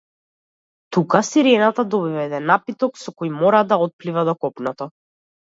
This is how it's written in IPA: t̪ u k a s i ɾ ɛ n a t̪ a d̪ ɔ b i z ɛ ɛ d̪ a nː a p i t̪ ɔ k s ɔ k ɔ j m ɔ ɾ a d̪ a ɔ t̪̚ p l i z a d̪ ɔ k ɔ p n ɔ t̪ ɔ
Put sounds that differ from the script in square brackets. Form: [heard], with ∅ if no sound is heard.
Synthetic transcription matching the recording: t̪ u k a s i ɾ ɛ n a t̪ a d̪ ɔ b i [v] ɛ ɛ d̪ [ɛ] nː a p i t̪ ɔ k s ɔ k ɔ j m ɔ ɾ a d̪ a ɔ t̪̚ p l i [v] a d̪ ɔ k ɔ p n ɔ t̪ ɔ